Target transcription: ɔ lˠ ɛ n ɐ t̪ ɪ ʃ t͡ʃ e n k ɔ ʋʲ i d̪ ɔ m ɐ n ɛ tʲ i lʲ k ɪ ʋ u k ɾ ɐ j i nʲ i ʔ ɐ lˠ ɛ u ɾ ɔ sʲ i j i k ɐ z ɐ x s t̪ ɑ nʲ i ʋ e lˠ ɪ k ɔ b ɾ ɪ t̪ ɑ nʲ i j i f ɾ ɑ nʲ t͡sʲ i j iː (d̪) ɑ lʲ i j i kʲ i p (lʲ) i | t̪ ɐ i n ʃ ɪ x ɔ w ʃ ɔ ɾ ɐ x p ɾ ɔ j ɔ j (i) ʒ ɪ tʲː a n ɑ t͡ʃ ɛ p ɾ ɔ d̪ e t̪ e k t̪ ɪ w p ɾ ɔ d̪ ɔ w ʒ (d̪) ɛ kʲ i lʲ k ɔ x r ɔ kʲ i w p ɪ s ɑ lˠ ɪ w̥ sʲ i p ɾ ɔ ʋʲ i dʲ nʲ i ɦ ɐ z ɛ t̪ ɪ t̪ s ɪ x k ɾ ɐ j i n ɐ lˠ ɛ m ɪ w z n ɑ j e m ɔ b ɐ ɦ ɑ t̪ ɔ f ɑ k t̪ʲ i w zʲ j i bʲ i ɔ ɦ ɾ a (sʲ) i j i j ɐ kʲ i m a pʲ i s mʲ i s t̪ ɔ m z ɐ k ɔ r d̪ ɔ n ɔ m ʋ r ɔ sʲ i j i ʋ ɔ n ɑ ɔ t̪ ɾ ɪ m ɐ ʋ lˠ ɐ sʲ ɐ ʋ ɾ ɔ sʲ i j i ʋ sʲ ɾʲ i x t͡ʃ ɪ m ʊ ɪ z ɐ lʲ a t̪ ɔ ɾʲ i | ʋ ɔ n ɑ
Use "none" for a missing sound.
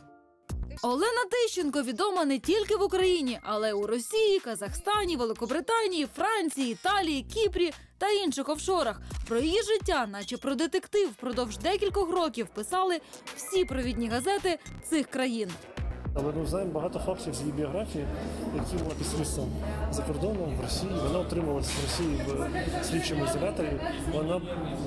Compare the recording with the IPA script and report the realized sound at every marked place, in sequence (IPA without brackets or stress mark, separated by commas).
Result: t̪, ɾʲ, i, d̪, fʲ